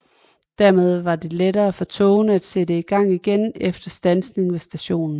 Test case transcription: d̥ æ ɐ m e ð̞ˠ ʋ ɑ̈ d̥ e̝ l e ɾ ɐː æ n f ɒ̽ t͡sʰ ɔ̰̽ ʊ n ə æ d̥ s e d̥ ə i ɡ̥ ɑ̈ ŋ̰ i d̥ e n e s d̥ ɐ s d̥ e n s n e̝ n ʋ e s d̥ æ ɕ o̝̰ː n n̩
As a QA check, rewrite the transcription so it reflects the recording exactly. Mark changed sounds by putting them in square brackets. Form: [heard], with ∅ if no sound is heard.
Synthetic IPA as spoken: d̥ æ ɐ m e ð̞ˠ ʋ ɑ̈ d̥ e̝ l e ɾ ɐː æ [∅] f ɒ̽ t͡sʰ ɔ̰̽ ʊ n ə æ d̥ s e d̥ ə i ɡ̥ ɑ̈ ŋ̰ i [ɡ̥] e n e [f] d̥ ɐ s d̥ [æ] n s n e̝ [ŋ] ʋ e s d̥ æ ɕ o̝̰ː n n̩